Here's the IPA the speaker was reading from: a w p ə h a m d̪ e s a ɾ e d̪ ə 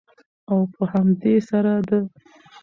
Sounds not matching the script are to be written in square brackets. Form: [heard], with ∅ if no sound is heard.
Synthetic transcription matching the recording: a w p ə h a m d̪ e s a ɾ [a] d̪ ə